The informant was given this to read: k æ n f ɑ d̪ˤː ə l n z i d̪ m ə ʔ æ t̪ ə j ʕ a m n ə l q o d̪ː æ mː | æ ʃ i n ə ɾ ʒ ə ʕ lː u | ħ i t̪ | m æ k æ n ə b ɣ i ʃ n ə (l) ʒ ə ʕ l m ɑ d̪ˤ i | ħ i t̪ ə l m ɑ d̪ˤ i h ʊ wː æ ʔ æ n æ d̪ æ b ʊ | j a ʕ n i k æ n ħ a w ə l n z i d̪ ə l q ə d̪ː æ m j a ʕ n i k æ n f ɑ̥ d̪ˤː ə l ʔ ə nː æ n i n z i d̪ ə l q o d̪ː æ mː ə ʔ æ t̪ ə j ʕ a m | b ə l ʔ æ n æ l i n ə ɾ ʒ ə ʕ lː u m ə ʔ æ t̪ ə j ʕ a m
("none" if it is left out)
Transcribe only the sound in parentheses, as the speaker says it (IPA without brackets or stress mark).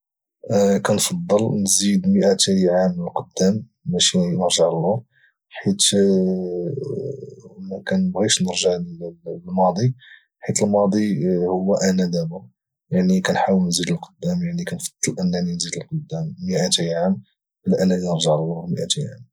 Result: ɾ